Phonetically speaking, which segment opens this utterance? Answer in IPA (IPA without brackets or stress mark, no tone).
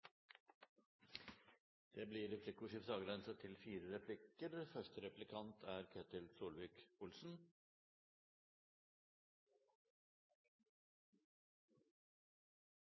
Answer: d̪̥